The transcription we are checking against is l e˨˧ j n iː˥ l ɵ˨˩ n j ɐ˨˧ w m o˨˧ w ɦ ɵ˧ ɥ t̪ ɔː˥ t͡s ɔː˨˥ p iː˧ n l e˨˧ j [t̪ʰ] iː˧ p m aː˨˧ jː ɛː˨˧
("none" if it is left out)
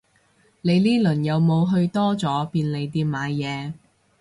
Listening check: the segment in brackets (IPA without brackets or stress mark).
t̪